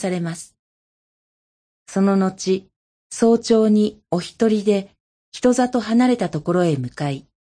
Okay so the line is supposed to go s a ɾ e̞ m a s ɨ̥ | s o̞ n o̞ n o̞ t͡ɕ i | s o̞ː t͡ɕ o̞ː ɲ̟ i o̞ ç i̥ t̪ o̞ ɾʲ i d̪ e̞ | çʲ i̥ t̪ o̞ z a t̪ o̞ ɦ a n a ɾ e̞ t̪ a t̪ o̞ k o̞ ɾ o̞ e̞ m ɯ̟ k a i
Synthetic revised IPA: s a ɾ e̞ m a s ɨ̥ | s o̞ n o̞ n o̞ t͡ɕ i | s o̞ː t͡ɕ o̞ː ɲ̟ i o̞ ç i̥ t̪ o̞ ɾʲ i d̪ e̞ | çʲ i̥ t̪ o̞ z a t̪ o̞ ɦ a n a ɾ e̞ t̪ a t̪ o̞ k o̞ ɾ o̞ e̞ m ɯ̟ k a i